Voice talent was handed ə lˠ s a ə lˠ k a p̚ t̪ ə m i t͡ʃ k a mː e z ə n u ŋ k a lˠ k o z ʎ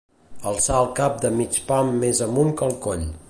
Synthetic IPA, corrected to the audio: ə lˠ s a ə lˠ k a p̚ d̪ ə m i t͡ʃ p a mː e z ə m u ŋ k ə lˠ k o ʎ